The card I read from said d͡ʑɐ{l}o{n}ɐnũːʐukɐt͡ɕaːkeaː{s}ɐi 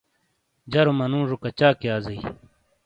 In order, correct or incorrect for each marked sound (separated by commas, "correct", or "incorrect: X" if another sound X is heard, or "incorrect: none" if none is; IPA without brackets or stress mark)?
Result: incorrect: ɾ, incorrect: m, incorrect: z